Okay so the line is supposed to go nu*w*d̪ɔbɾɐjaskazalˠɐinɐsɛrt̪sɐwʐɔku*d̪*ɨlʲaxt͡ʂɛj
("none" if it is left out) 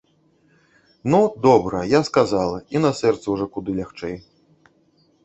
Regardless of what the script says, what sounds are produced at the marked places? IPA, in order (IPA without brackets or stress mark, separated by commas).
none, d̪